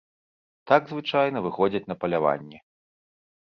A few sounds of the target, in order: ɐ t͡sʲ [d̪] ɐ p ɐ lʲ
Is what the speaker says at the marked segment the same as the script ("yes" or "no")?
no